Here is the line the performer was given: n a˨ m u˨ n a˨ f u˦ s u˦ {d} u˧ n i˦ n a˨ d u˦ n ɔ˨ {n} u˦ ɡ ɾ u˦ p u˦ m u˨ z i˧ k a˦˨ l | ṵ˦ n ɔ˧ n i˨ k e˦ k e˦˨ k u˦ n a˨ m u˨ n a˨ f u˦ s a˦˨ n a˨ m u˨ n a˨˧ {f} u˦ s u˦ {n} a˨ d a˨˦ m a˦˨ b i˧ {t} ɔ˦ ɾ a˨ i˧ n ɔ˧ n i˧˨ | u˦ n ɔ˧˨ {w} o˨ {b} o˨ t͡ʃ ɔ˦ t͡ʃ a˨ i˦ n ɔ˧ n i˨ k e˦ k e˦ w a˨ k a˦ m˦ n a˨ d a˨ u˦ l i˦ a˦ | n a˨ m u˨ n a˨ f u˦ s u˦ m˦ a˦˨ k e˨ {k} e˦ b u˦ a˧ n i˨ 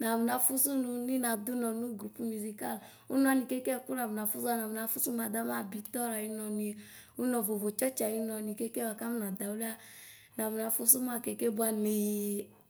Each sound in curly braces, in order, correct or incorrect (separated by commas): incorrect, correct, correct, incorrect, correct, incorrect, incorrect, correct